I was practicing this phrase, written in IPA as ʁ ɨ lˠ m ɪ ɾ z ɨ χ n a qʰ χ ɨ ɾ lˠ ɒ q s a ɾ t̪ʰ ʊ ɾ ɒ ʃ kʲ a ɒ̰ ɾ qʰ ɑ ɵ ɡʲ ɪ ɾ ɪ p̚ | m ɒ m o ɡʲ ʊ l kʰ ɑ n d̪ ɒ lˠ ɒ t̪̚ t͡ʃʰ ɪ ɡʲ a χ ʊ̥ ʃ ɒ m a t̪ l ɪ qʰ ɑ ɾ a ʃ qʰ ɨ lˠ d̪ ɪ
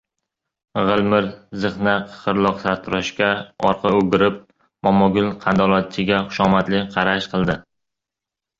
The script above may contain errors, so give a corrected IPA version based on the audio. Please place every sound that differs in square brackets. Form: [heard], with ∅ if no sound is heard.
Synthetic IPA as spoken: ʁ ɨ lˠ m ɪ ɾ z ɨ χ n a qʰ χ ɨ ɾ lˠ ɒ q s a ɾ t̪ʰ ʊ ɾ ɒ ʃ kʲ a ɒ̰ ɾ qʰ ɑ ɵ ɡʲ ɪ ɾ ɪ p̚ | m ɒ m [ɒ] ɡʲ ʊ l [qʰ] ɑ n d̪ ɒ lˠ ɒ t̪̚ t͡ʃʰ ɪ ɡʲ a χ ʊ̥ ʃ ɒ m a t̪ l ɪ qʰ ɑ ɾ a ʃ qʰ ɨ lˠ d̪ ɪ